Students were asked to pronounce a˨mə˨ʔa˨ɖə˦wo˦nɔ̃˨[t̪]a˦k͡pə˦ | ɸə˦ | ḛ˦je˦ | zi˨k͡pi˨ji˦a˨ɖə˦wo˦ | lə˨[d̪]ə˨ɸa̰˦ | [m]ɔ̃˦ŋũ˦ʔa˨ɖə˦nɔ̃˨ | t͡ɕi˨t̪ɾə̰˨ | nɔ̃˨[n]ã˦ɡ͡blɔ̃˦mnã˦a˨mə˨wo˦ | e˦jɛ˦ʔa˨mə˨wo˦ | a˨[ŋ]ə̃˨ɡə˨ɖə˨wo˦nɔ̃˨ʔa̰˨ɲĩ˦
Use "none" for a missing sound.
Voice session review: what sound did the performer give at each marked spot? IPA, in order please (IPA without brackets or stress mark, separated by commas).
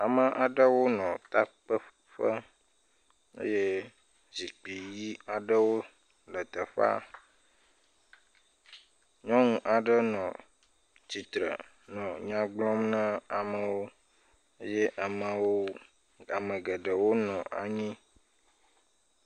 t̪, t̪, ɲ, ɲ, m